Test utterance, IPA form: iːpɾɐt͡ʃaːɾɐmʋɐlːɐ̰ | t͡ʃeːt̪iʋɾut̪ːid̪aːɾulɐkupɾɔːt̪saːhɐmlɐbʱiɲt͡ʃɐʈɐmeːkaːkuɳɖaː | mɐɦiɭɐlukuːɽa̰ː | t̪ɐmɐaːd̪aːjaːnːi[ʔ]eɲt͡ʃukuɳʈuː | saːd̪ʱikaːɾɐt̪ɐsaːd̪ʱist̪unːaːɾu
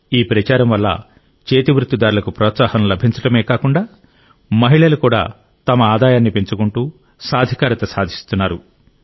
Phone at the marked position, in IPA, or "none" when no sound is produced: p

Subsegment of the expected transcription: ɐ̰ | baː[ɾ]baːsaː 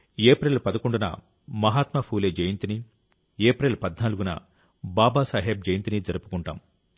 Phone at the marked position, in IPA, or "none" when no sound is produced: none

